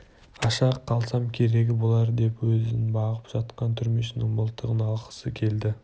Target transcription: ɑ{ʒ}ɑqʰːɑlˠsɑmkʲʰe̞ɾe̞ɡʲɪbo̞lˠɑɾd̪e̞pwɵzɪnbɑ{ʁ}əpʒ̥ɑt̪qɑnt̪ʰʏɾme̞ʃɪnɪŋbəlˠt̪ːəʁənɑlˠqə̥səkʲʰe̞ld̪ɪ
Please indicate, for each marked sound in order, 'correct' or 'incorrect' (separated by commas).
incorrect, correct